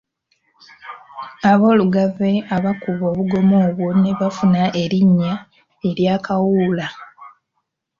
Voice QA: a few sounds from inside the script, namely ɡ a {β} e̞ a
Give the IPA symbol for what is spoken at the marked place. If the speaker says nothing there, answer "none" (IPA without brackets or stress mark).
v